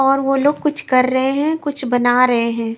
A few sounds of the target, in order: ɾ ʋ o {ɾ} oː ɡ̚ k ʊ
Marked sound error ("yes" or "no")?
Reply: yes